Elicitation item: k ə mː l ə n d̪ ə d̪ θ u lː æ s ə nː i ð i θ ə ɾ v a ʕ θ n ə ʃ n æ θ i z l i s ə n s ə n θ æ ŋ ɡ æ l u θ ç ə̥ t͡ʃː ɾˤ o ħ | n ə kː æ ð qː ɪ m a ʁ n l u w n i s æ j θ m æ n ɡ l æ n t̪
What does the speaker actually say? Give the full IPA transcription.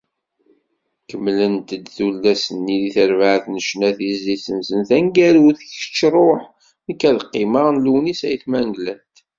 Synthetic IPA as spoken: k ə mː l ə n t̪ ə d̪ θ u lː æ s ə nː i ð i θ ə ɾ v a ʕ θ n ə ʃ n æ θ i z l i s ə n s ə n θ æ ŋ ɡ æ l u θ ç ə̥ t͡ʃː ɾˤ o ħ | n ə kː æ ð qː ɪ m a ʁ n l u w n i s æ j θ m æ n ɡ l æ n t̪